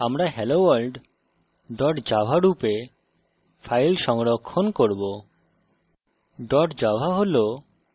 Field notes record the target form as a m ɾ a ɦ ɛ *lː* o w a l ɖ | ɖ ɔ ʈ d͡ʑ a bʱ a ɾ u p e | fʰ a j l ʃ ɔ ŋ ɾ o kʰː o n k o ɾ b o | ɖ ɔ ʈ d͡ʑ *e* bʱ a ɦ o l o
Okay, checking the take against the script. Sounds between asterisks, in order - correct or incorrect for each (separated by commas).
incorrect, incorrect